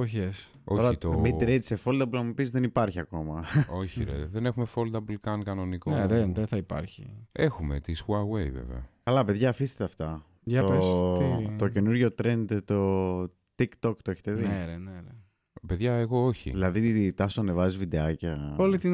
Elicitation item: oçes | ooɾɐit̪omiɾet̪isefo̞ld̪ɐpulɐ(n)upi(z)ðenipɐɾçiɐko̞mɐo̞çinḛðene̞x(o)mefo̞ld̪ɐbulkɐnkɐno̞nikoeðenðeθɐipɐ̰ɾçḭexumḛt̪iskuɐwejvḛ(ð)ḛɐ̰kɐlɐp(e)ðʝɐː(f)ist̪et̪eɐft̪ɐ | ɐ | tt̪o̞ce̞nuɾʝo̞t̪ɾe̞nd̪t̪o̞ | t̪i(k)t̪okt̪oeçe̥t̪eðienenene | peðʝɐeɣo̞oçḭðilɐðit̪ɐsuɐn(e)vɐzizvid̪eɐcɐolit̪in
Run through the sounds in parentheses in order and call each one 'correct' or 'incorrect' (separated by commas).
incorrect, correct, incorrect, incorrect, correct, correct, correct, correct